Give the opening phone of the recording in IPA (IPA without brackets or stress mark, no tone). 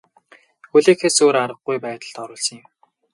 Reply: x